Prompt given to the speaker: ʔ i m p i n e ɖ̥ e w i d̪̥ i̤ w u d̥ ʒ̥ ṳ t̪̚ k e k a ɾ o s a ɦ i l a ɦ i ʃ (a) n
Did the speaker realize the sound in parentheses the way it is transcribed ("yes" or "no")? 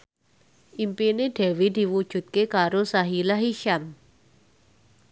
yes